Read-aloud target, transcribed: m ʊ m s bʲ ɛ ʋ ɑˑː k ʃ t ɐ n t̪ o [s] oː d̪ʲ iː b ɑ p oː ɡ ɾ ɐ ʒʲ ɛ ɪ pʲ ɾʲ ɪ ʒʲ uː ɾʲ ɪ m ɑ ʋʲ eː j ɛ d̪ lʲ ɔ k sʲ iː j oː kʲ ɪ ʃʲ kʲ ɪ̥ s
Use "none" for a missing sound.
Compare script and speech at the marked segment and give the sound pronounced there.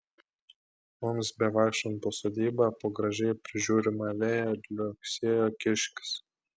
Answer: s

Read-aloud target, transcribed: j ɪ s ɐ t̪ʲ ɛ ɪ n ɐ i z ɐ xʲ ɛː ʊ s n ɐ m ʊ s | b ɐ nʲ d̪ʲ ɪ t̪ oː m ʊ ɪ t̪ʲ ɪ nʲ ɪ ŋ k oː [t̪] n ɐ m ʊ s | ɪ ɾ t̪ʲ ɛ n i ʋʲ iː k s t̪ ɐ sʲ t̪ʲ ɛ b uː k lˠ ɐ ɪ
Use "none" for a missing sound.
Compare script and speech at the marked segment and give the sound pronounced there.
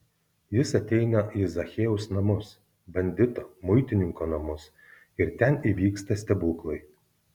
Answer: none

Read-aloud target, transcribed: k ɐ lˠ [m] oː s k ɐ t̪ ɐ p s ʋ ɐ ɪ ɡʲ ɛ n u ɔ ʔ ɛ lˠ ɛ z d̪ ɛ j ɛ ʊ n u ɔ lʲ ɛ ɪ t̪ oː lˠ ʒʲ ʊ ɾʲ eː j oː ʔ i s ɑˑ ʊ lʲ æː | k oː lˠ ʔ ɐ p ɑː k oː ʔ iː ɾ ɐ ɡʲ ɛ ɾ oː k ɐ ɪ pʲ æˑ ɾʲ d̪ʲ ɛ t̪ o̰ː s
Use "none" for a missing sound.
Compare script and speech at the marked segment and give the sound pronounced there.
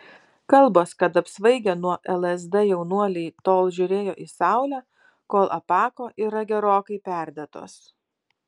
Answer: b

